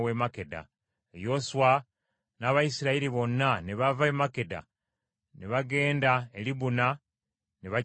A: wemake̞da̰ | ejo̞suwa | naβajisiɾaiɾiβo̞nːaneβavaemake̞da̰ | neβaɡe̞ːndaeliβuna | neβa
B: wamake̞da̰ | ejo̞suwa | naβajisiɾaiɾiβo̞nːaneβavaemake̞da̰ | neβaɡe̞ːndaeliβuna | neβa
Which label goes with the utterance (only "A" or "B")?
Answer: A